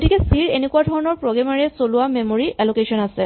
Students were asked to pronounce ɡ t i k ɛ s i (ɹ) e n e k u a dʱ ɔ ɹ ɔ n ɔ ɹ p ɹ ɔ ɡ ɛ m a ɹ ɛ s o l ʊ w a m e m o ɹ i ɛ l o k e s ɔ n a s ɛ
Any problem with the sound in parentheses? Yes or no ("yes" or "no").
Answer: no